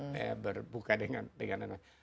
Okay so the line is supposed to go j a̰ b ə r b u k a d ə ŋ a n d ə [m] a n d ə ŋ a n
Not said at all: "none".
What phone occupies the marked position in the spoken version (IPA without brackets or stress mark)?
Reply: ŋ